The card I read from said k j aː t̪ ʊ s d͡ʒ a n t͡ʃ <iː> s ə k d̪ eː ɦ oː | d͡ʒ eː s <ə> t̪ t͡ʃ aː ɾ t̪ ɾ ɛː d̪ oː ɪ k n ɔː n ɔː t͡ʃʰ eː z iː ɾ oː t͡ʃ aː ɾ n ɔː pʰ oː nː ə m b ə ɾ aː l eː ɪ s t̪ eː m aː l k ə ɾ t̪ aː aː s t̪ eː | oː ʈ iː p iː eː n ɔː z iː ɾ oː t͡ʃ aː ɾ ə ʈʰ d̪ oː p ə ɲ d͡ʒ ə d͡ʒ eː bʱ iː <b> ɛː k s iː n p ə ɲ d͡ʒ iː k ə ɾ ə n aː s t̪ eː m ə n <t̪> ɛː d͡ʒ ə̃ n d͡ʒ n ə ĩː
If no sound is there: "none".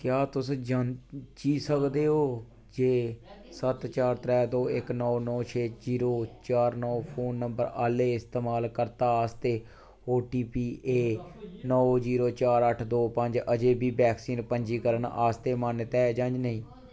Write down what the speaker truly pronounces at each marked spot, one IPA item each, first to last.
iː, ə, b, t̪

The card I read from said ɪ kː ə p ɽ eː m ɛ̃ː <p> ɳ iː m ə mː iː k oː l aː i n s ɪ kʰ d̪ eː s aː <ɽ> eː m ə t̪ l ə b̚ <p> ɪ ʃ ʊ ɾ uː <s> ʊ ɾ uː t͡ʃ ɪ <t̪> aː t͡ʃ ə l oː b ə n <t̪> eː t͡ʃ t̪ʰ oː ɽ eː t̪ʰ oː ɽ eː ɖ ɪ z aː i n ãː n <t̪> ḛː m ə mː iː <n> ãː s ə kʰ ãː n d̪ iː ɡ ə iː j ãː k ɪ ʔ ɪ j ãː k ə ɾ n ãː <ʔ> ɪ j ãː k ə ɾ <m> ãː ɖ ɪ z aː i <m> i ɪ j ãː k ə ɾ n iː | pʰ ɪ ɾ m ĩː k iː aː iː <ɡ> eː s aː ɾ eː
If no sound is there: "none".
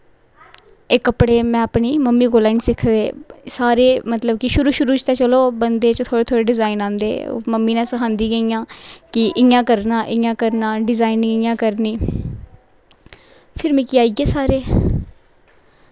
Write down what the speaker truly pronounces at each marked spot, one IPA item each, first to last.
p, ɾ, k, ʃ, t̪, d̪, d̪, n, ʔ, n, n, ɡ

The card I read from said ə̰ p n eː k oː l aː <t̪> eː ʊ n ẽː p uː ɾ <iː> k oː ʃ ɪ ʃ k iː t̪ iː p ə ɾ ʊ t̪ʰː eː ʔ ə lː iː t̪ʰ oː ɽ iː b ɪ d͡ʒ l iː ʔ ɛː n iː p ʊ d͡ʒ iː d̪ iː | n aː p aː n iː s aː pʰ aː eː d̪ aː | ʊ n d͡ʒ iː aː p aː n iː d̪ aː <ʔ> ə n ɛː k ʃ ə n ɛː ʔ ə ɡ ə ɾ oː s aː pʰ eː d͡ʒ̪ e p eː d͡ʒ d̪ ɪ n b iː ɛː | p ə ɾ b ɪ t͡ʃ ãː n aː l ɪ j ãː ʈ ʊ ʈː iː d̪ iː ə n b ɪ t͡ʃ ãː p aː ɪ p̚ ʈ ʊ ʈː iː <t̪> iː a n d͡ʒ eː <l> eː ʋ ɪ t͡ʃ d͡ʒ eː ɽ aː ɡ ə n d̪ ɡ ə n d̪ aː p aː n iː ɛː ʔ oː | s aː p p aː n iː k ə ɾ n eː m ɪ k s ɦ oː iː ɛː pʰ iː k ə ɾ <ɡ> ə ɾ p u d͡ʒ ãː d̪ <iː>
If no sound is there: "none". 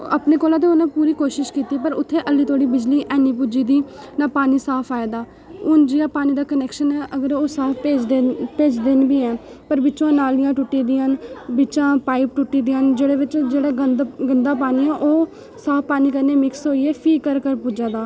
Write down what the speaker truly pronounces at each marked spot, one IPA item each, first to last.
t̪, iː, k, d̪, ɽ, k, aː

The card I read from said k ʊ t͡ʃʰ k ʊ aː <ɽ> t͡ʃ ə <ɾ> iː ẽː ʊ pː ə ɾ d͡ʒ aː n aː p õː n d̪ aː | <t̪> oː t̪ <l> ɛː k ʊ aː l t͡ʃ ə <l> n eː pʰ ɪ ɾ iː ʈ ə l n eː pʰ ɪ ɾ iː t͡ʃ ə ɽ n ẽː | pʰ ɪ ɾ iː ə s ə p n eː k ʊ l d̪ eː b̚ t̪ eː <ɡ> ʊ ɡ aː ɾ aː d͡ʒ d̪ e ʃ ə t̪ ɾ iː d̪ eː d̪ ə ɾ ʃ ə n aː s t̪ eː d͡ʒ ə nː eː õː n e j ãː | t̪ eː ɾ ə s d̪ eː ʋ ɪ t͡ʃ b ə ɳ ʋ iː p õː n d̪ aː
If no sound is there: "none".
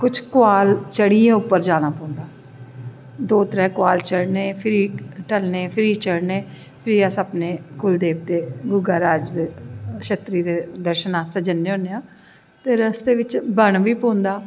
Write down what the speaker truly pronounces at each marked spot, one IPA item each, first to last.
l, ɽ, d̪, ɾ, ɽ, ɡ

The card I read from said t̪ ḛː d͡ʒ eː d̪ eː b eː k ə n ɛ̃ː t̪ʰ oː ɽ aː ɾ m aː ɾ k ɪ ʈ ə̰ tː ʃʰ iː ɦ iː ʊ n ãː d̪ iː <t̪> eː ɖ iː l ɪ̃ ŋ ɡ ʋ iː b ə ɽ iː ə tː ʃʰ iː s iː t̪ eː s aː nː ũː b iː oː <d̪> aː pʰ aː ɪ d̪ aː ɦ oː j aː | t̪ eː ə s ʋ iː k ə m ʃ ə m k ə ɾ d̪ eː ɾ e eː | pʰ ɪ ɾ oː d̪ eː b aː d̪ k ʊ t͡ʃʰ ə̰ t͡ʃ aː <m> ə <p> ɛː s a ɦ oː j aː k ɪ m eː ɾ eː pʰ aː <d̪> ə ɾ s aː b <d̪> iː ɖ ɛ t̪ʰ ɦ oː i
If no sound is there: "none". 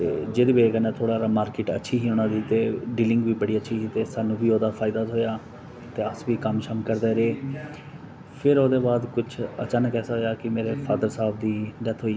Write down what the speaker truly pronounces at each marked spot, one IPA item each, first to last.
t̪, d̪, n, k, d̪, d̪

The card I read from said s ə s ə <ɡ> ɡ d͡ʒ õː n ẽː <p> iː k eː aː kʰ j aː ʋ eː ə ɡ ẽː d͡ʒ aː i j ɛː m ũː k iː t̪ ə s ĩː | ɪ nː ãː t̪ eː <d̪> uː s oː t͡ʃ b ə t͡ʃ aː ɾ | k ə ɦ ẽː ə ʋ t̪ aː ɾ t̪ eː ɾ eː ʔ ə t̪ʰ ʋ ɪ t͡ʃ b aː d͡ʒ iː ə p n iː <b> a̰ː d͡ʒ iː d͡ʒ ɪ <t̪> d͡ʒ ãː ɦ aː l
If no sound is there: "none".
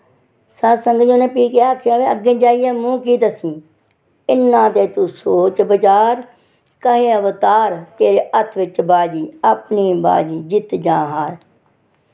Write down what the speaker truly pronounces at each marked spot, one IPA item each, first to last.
ŋ, p, t̪, b, t̪

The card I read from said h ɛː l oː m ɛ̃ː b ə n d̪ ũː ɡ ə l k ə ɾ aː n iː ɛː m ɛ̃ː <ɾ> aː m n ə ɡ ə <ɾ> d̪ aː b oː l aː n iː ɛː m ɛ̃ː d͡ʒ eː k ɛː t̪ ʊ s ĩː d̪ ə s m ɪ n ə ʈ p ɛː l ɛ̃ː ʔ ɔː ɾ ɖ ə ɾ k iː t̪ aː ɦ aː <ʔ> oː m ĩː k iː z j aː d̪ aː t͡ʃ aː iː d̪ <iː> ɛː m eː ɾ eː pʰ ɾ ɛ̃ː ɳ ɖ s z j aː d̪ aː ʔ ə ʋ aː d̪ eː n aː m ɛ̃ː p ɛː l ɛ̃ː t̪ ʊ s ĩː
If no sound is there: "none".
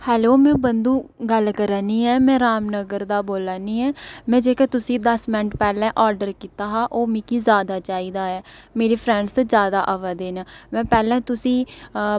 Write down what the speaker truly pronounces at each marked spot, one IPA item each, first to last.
ɾ, ɾ, ʔ, aː

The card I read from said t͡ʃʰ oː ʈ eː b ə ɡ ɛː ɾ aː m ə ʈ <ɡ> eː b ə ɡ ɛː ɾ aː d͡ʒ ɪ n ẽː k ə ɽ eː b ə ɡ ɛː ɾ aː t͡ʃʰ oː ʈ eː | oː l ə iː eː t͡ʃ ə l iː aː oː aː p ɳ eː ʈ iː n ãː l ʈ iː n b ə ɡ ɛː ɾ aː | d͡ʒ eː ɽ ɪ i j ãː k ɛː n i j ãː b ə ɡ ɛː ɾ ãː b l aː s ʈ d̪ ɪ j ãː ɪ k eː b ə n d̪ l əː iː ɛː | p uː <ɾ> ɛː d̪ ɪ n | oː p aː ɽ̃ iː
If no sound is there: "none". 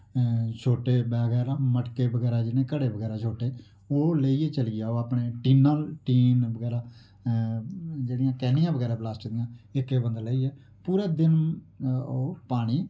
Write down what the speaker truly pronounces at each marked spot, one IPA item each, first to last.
k, ɾ

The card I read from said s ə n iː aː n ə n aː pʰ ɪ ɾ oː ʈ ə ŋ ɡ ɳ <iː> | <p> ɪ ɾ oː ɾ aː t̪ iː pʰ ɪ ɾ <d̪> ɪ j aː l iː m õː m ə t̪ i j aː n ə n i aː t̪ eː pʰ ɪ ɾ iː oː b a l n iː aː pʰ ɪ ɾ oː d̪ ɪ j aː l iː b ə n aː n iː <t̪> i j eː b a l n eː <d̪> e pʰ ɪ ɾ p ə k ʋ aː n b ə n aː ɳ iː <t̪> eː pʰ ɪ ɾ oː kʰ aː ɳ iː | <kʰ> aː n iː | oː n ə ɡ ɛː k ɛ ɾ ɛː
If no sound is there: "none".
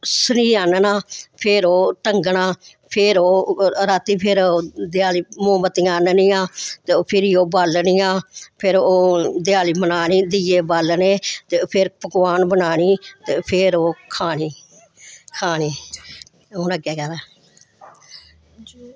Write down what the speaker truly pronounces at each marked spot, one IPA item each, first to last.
aː, pʰ, d̪, d̪, t̪, t̪, kʰ

